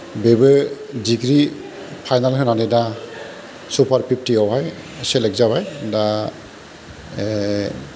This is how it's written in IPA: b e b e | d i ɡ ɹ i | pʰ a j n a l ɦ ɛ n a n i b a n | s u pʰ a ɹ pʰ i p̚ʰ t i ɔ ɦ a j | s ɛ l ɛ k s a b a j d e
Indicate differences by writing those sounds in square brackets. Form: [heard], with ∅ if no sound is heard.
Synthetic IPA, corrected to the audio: b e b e | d i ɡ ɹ i | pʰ a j n a l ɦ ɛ n a n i [d] a [∅] | s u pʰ a ɹ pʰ i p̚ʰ t i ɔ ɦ a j | s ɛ l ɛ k [z] a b a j d [a]